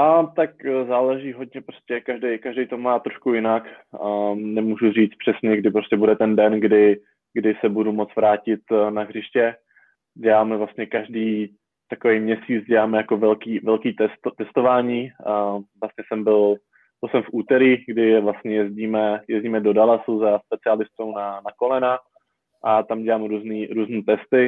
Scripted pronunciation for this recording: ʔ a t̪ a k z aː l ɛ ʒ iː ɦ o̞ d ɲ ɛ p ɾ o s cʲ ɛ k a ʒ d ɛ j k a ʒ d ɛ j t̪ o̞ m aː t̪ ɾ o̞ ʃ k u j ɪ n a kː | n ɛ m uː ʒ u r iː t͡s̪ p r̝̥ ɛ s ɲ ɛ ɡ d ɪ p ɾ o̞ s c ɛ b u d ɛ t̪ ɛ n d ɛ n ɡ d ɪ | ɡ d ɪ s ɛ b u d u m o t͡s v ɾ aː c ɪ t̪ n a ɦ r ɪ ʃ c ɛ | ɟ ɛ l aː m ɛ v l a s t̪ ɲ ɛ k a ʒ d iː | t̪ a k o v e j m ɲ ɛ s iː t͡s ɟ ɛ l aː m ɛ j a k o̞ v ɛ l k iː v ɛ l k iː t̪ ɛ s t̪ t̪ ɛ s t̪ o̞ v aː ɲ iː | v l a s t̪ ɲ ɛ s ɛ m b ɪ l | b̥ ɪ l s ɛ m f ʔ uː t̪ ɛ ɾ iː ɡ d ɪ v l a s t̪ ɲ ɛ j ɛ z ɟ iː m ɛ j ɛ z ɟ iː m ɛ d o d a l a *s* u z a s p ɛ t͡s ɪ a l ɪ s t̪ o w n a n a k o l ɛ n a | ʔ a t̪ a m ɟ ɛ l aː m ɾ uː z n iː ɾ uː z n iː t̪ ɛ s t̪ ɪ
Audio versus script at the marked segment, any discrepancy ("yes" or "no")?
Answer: no